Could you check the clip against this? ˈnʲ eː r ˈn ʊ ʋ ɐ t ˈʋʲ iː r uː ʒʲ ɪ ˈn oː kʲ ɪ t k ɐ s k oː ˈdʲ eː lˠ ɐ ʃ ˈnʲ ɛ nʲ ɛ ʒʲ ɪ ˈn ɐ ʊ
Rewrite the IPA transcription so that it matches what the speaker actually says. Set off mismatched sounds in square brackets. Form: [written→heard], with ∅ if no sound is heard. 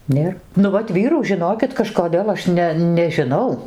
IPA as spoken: ˈnʲ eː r ˈn ʊ ʋ ɐ t ˈʋʲ iː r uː ʒʲ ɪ ˈn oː kʲ ɪ t k ɐ [s→ʃ] k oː ˈdʲ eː lˠ ɐ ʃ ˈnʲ ɛ nʲ ɛ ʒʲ ɪ ˈn ɐ ʊ